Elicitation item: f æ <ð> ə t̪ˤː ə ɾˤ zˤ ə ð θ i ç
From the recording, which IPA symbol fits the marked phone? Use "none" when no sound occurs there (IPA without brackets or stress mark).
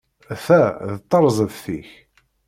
ð